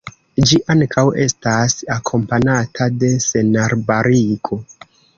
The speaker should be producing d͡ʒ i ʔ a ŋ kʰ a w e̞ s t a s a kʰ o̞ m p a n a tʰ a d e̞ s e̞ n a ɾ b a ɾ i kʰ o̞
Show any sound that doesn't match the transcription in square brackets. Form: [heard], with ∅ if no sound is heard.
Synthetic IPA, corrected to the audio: d͡ʒ i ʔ a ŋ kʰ a w e̞ s t a s a kʰ o̞ m p a n a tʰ a d e̞ s e̞ n a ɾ b a ɾ i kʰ o̞